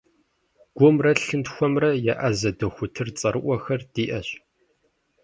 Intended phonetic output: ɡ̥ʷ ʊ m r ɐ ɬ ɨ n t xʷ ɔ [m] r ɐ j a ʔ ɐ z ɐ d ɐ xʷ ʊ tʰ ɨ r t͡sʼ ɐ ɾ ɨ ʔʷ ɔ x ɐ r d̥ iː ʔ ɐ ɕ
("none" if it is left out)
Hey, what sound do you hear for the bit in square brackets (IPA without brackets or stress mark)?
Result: m